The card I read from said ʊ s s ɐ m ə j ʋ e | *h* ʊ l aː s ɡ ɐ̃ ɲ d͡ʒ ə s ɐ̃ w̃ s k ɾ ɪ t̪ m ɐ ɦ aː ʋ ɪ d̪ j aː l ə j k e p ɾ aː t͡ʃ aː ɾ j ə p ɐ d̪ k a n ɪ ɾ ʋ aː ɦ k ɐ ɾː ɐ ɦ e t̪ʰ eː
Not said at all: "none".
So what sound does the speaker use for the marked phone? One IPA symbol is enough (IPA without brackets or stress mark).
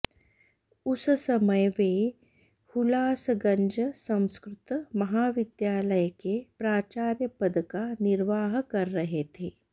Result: h